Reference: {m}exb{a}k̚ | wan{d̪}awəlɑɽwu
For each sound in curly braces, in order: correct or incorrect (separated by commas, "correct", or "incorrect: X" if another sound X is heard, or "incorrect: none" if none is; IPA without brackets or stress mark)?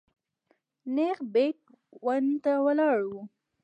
incorrect: n, incorrect: e, incorrect: t̪